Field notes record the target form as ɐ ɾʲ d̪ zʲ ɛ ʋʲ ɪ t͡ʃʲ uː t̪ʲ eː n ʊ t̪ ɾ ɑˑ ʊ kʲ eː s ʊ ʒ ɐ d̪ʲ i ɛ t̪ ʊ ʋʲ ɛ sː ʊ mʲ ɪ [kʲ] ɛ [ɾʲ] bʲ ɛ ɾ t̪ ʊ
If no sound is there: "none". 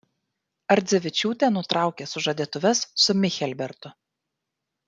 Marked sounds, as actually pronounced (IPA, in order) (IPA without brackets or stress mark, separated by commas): xʲ, lʲ